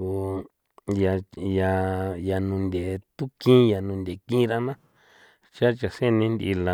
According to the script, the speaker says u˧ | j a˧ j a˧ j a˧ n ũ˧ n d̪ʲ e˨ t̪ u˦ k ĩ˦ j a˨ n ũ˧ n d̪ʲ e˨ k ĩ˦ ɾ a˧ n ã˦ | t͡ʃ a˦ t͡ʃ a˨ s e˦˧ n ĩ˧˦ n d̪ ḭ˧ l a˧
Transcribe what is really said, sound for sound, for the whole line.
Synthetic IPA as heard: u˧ | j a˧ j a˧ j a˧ n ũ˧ n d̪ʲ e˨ t̪ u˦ k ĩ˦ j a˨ n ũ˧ n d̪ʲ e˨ k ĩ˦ ɾ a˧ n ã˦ | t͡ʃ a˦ t͡ʃ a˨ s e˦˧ n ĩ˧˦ n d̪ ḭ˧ l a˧

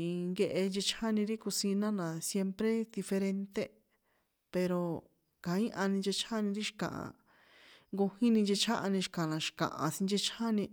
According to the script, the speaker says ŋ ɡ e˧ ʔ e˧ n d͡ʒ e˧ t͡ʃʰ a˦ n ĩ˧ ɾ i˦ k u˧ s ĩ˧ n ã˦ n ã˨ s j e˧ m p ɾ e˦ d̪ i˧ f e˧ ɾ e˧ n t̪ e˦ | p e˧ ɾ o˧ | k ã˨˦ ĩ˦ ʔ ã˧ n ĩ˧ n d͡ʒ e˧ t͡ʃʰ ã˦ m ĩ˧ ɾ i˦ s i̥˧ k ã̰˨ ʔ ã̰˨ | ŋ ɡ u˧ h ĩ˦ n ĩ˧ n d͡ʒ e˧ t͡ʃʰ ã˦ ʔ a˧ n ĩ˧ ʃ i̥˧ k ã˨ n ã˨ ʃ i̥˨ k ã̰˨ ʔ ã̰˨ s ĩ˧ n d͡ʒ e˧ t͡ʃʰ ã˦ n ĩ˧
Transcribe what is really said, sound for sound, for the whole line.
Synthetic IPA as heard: ŋ ɡ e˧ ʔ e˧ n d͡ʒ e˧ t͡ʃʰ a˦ n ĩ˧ ɾ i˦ k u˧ s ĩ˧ n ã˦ n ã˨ s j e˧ m p ɾ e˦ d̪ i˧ f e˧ ɾ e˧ n t̪ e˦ | p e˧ ɾ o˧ | k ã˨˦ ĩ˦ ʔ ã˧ n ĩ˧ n d͡ʒ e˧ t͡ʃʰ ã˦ n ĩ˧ ɾ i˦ ʃ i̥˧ k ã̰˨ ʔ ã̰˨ | ŋ ɡ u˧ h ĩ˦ n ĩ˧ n d͡ʒ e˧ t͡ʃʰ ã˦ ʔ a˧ n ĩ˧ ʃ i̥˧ k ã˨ n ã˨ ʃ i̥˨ k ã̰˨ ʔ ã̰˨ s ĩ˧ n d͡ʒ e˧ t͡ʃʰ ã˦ n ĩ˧

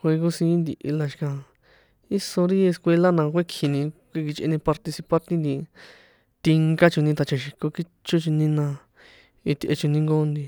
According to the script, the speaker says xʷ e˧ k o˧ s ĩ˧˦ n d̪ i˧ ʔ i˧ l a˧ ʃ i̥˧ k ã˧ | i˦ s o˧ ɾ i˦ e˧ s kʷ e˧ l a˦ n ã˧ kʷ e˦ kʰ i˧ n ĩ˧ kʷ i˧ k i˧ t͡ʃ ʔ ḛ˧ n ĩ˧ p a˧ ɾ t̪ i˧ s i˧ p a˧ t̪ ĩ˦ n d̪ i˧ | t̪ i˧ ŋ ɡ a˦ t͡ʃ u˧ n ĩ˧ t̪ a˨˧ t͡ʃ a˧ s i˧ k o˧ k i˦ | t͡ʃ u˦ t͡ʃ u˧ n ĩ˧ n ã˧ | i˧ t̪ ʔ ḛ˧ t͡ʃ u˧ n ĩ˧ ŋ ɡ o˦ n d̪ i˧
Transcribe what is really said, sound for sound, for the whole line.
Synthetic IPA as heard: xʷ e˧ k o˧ s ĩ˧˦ n d̪ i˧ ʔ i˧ l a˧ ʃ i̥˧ k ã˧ | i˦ s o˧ ɾ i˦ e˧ s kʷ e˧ l a˦ n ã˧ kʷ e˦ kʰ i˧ n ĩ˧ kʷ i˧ k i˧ t͡ʃ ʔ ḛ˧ n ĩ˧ p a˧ ɾ t̪ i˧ s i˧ p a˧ t̪ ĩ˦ n d̪ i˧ | t̪ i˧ ŋ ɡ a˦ t͡ʃ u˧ n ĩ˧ t̪ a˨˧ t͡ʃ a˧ ʃ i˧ k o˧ k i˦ | t͡ʃ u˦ t͡ʃ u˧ n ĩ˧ n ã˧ | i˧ t̪ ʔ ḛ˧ t͡ʃ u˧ n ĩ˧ ŋ ɡ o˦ n d̪ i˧

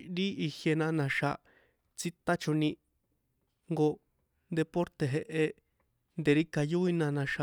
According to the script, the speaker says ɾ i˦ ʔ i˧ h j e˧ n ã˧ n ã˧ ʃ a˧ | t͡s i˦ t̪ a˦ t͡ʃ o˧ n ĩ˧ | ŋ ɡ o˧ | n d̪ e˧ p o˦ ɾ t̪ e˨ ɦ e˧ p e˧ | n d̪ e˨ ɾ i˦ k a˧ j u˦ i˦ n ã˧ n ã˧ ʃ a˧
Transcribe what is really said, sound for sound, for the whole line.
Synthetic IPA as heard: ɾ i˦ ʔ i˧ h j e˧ n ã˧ n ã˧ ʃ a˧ | t͡s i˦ t̪ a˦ t͡ʃ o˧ n ĩ˧ | ŋ ɡ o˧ | n d̪ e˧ p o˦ ɾ t̪ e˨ ɦ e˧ ʔ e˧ | n d̪ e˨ ɾ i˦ k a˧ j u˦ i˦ n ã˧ n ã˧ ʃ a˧

